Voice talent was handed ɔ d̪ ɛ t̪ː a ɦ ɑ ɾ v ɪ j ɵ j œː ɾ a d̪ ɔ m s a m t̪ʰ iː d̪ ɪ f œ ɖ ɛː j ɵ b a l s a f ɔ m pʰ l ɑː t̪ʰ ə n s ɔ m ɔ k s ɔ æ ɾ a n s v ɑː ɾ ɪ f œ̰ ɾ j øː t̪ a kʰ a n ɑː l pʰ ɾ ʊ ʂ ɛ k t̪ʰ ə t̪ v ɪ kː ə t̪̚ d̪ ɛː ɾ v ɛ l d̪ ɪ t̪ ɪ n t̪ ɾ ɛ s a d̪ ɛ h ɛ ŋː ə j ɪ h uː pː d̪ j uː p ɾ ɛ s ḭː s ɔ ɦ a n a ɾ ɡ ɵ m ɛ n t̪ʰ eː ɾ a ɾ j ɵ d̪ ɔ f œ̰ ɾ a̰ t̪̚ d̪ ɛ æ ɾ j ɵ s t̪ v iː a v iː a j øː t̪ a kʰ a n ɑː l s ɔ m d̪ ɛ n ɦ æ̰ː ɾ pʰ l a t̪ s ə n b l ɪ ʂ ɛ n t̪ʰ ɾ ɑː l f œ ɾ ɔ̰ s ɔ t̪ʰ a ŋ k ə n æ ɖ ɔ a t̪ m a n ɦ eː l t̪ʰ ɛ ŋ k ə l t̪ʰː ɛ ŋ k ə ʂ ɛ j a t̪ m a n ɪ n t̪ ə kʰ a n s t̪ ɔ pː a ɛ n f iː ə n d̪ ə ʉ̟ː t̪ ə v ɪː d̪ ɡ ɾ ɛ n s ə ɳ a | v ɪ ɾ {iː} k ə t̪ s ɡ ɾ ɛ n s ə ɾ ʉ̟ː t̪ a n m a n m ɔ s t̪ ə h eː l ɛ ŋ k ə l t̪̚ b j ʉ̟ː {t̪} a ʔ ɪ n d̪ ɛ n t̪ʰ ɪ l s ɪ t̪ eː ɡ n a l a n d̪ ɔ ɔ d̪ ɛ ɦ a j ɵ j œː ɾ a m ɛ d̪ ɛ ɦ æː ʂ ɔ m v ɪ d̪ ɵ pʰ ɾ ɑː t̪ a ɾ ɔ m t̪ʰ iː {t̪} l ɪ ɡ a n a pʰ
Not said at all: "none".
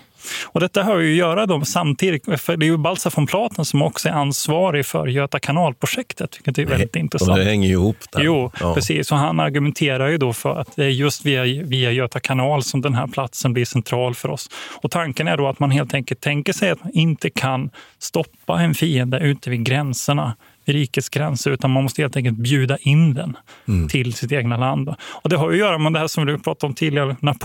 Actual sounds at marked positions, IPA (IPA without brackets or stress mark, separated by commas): iː, d̪, d̪